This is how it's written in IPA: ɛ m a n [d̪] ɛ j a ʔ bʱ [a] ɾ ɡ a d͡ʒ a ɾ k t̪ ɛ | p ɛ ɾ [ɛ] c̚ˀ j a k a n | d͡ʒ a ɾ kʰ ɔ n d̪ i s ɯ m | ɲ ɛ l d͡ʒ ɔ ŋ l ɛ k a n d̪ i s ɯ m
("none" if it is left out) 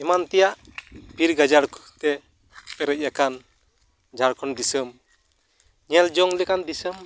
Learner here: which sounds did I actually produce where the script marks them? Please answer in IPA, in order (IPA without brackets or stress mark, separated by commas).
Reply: t̪, i, ɛ